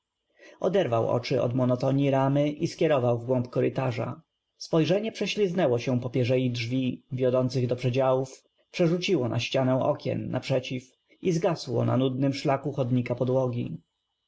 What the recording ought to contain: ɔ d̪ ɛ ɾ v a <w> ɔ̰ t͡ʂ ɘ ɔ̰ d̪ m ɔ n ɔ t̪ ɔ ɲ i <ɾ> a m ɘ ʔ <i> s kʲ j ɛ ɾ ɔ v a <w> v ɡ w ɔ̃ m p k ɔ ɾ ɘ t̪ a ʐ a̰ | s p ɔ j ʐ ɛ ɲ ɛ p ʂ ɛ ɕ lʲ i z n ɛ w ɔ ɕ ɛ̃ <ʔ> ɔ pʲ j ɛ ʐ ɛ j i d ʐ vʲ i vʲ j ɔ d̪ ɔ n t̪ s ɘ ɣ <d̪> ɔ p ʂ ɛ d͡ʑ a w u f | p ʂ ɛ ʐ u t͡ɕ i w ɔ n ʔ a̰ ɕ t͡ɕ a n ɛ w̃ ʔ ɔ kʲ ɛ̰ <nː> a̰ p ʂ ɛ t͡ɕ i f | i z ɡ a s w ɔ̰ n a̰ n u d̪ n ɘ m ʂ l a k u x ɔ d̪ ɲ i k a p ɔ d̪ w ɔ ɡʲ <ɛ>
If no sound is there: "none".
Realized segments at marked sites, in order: w, ɾ, i, w, p, d̪, nː, i

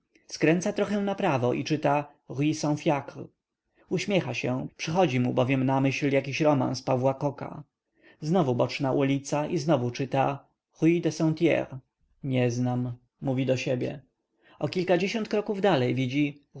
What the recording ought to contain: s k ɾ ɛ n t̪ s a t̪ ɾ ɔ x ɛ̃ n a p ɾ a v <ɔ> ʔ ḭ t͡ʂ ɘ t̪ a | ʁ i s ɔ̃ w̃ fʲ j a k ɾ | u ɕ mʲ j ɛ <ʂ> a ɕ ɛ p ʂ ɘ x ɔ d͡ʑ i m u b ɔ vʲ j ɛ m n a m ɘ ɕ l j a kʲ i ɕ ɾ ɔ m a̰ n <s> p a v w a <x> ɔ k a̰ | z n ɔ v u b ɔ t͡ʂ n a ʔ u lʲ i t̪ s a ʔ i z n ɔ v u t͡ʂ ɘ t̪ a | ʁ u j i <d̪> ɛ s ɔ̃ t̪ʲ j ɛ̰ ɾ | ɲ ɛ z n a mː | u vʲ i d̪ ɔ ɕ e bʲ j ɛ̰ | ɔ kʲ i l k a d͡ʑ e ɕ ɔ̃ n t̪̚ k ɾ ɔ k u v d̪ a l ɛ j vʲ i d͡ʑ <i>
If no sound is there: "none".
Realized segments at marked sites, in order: ɔ, x, s, k, d̪, i

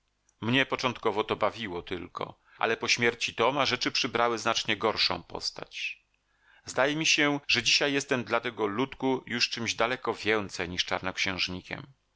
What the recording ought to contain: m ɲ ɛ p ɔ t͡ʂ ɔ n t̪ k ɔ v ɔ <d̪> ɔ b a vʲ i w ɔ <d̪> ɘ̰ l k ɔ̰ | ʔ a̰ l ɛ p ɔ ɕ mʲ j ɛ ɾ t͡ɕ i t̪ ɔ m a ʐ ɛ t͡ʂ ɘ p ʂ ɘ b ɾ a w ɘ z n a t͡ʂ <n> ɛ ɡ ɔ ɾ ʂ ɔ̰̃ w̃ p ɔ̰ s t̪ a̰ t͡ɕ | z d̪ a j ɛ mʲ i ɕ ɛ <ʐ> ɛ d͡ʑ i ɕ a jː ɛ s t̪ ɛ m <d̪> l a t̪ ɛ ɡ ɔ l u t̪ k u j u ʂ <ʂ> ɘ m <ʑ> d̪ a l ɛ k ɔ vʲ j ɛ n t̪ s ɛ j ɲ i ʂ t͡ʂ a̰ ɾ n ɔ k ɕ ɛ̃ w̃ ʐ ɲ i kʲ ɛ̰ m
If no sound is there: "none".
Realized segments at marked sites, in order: t̪, t̪, ɲ, ʐ, d̪, t͡ʂ, ʑ

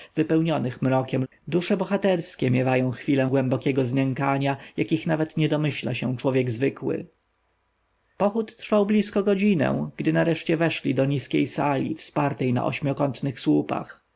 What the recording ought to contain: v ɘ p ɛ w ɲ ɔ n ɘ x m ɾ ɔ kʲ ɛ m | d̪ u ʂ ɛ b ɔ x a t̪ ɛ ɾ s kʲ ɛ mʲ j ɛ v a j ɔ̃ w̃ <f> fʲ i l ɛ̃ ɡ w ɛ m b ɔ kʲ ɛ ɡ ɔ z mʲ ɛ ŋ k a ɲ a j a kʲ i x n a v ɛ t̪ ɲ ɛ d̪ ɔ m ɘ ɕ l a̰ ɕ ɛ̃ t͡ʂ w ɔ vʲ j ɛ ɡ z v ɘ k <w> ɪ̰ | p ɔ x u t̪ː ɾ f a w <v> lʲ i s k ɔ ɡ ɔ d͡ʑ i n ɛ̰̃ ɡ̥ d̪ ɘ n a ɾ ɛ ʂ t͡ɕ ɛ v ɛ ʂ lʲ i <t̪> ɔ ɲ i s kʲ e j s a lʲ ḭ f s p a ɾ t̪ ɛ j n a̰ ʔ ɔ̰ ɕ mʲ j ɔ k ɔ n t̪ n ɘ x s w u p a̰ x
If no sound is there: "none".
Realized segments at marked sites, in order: x, w, b, d̪

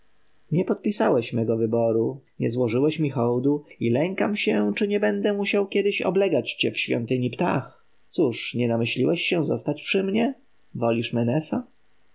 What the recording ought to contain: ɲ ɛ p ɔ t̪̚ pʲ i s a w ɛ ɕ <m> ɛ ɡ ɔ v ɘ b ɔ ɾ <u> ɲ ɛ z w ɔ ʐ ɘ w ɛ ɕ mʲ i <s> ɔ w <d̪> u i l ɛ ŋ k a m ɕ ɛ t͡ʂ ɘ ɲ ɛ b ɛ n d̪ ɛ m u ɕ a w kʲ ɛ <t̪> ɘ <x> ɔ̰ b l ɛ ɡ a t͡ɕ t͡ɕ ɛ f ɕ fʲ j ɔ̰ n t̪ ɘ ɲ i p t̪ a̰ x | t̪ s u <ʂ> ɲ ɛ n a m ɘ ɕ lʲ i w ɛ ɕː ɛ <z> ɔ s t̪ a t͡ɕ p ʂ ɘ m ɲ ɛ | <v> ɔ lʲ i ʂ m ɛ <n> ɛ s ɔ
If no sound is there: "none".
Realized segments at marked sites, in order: m, u, x, d̪, d̪, ɕ, ʂ, z, v, n

